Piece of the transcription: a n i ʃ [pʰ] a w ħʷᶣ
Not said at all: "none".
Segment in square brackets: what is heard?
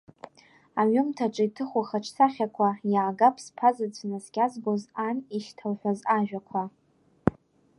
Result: tʰ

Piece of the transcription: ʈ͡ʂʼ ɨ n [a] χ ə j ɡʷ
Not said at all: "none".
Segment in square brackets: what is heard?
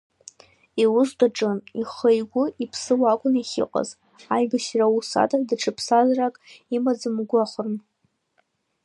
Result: i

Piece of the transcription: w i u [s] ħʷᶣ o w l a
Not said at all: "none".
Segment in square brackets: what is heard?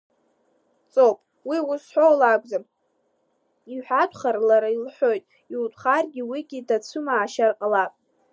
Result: s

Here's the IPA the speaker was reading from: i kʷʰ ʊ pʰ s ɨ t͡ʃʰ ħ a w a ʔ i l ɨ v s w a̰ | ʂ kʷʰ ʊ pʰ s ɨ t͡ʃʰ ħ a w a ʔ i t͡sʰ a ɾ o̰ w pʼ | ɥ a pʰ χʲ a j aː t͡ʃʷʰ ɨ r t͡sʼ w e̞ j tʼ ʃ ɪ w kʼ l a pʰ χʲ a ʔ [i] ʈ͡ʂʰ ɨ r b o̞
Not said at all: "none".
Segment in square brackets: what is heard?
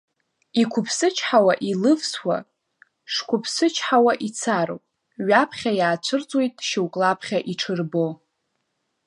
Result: i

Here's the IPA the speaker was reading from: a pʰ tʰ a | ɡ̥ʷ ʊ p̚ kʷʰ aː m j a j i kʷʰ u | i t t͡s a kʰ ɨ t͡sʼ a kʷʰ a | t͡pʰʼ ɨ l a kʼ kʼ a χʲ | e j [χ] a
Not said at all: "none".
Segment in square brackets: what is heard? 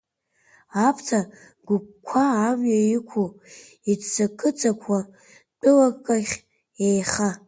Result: χ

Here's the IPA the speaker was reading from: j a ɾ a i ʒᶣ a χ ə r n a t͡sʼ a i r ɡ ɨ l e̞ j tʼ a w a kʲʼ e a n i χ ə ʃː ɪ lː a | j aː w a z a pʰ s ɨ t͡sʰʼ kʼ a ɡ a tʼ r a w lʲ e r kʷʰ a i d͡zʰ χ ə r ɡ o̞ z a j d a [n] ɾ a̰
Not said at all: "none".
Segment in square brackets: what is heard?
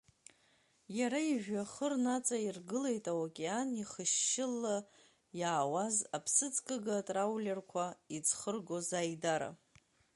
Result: none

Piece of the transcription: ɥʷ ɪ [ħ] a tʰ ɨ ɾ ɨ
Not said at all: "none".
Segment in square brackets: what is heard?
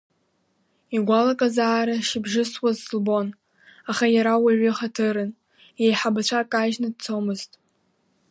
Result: χ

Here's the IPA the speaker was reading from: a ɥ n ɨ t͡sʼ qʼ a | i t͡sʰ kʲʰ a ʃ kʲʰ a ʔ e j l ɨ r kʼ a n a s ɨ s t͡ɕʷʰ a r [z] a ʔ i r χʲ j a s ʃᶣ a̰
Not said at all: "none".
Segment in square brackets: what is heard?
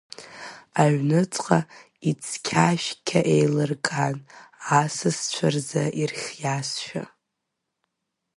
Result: z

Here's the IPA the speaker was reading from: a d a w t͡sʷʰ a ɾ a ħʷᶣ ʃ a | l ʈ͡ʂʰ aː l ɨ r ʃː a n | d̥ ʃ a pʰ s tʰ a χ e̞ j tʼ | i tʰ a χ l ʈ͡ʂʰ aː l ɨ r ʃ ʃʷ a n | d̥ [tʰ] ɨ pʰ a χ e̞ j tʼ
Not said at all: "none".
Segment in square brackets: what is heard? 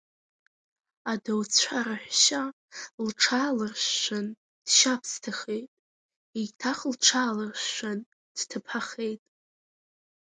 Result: tʰ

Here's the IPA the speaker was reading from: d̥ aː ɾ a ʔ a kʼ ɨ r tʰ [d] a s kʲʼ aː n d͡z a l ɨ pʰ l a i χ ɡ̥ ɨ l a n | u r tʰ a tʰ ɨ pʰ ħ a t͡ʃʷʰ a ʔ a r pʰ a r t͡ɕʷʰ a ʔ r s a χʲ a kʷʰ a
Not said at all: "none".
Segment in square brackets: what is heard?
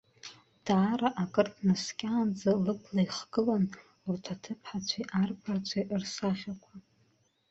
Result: n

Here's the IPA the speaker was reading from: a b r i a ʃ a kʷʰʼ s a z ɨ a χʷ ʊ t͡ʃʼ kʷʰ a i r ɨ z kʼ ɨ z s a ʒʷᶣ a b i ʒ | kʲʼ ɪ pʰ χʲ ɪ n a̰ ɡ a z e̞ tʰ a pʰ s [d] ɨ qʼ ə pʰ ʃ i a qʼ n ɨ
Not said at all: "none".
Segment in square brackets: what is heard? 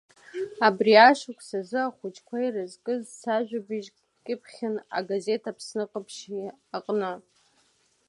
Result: n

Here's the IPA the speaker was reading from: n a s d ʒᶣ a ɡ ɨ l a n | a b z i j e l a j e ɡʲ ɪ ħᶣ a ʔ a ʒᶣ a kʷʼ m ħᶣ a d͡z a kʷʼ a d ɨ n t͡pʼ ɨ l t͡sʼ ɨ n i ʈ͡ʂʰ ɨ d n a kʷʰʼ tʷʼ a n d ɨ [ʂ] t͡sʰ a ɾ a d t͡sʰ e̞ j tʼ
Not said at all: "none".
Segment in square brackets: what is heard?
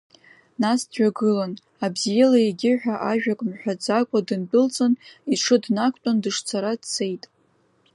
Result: ʂ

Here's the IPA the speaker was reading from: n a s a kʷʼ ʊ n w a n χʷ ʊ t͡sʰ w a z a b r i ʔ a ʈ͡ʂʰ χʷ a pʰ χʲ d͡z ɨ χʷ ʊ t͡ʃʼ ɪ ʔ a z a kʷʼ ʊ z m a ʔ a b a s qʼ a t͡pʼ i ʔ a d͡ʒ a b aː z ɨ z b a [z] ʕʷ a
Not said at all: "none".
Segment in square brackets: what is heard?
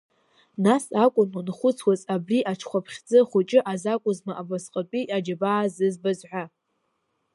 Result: z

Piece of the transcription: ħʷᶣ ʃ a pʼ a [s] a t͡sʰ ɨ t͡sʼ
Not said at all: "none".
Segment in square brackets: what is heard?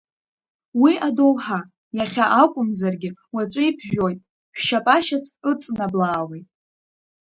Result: ʃ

